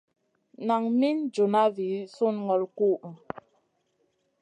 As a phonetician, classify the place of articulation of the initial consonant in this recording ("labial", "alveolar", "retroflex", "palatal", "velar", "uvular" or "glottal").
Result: alveolar